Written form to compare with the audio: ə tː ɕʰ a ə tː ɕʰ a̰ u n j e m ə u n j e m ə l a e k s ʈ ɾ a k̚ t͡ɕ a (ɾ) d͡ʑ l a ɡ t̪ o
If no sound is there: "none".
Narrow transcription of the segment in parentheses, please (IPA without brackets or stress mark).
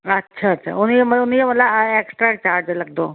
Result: ɾ